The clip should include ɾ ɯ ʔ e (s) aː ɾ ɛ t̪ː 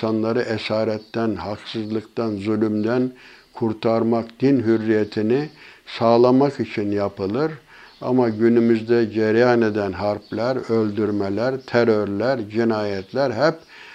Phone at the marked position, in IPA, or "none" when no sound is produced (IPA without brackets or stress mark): s